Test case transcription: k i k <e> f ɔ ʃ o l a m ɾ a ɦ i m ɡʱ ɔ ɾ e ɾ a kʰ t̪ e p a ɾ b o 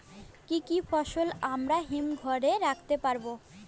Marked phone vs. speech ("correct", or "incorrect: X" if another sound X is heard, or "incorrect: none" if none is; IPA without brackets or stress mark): incorrect: i